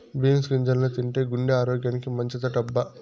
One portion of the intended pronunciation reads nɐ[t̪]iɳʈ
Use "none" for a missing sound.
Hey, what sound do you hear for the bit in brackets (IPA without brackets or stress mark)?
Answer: t̪